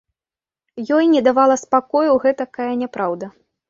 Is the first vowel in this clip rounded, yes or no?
yes